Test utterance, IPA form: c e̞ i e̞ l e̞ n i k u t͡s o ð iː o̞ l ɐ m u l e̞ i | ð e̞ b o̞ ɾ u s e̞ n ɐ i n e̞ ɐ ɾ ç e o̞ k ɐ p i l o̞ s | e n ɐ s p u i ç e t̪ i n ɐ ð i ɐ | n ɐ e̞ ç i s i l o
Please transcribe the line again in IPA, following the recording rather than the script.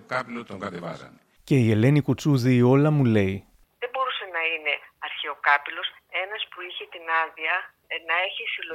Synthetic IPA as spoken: c e̞ i e̞ l e̞ n i k u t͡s u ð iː o̞ l ɐ m u l e̞ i | ð e̞ b o̞ ɾ u s e̞ n ɐ i n e̞ ɐ ɾ ç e o̞ k ɐ p i l o̞ s | e n ɐ s p u i ç e t̪ i n ɐ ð i ɐ | n ɐ e̞ ç i s i l o